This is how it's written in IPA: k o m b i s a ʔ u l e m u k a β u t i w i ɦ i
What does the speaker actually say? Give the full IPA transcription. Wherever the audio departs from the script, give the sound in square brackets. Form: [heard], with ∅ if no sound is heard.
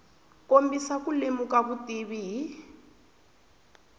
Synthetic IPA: k o m b i s a [k] u l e m u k a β u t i [β] i ɦ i